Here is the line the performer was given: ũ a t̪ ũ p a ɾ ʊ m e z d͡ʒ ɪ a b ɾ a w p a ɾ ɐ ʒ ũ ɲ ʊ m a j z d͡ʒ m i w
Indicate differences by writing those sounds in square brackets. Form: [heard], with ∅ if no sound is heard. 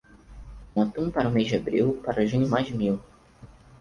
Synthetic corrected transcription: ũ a t̪ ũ p a ɾ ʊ m e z d͡ʒ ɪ a b ɾ [i] w p a ɾ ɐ ʒ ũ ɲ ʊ m a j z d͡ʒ m i w